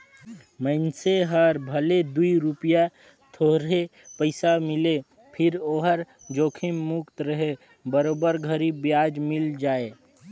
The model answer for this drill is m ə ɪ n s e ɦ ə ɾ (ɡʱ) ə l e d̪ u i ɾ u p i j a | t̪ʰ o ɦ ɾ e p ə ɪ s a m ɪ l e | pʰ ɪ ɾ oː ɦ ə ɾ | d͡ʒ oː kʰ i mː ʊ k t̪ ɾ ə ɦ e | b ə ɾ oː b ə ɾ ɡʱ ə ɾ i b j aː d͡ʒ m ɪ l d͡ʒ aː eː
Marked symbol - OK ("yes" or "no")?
no